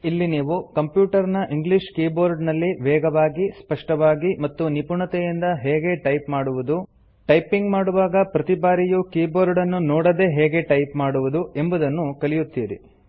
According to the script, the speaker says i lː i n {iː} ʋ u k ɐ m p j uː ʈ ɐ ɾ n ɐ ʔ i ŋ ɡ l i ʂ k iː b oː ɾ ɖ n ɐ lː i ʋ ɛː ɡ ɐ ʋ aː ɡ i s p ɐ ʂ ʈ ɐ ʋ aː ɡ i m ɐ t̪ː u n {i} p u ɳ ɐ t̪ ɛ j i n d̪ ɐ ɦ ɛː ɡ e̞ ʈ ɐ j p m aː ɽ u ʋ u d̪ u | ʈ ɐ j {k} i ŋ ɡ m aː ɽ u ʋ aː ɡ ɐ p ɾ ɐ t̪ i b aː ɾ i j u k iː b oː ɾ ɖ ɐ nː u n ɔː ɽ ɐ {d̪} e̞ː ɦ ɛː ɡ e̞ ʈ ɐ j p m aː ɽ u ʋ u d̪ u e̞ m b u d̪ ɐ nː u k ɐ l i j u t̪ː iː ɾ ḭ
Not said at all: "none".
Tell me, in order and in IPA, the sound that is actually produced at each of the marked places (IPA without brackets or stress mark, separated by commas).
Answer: iː, i, p, d̪